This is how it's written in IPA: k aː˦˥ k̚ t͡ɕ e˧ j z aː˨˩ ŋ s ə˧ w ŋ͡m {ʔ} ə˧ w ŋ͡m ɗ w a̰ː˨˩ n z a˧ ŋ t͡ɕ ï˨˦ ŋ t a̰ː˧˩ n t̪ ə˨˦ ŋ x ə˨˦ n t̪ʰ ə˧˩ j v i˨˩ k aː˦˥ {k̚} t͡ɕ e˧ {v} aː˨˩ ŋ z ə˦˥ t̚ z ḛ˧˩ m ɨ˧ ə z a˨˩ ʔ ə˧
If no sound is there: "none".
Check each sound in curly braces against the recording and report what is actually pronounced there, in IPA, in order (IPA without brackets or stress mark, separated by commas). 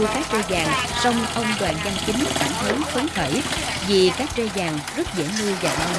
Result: ʔ, k̚, z